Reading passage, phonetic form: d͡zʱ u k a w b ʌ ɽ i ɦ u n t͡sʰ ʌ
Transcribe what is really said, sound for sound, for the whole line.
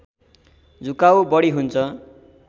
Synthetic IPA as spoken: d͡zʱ u k a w b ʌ ɽ i ɦ u n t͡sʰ ʌ